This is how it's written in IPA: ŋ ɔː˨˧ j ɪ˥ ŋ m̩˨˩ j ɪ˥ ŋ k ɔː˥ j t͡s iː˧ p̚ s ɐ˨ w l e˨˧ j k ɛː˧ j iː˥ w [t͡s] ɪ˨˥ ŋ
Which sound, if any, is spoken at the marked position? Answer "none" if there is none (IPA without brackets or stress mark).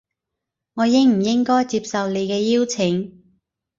t͡sʰ